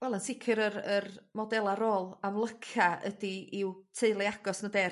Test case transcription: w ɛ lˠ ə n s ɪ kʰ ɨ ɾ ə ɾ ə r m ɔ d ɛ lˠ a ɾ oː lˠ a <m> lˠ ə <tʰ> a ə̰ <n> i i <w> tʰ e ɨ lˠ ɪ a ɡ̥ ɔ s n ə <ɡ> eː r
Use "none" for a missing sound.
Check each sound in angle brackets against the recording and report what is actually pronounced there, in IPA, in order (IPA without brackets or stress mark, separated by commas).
m, kʰ, d, w, d